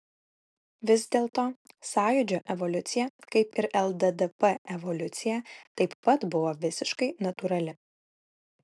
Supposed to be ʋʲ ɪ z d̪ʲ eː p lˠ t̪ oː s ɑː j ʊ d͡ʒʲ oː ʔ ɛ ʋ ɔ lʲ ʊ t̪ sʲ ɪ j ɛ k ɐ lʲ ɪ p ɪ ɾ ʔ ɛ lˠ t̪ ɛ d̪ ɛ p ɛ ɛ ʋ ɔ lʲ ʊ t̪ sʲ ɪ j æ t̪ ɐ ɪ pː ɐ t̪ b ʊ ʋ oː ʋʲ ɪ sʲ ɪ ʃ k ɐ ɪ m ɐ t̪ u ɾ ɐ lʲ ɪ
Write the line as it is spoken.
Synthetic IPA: ʋʲ ɪ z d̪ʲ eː lˠ t̪ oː s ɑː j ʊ d͡ʒʲ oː ʔ ɛ ʋ ɔ lʲ ʊ t̪ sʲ ɪ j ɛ k ɐ ɪ p ɪ ɾ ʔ ɛ lˠ d̪ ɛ d̪ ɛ p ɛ ɛ ʋ ɔ lʲ ʊ t̪ sʲ ɪ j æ t̪ ɐ ɪ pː ɐ t̪ b ʊ ʋ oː ʋʲ ɪ sʲ ɪ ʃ k ɐ ɪ n ɐ t̪ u ɾ ɐ lʲ ɪ